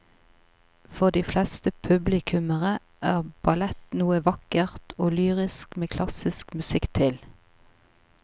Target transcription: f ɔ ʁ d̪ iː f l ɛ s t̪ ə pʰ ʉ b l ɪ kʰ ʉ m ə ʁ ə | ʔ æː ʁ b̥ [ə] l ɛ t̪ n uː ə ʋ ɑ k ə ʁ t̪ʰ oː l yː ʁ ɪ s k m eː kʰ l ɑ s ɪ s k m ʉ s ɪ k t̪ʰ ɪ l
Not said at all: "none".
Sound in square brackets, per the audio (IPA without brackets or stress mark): ɑ